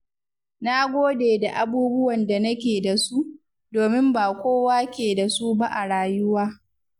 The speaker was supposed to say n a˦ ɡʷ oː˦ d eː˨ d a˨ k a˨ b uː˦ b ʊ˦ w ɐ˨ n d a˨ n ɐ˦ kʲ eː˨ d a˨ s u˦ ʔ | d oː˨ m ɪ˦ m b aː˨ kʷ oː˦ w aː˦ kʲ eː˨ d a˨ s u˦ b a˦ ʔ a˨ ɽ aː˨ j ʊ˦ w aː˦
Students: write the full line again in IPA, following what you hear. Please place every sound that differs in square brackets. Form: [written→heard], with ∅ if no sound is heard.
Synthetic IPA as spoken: n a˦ ɡʷ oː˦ d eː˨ d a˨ [k→ʔ] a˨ b uː˦ b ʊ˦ w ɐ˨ n d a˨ n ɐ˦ kʲ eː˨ d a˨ s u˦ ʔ | d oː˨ m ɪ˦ m b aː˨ kʷ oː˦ w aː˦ kʲ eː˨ d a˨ s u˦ b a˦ ʔ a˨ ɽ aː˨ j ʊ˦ w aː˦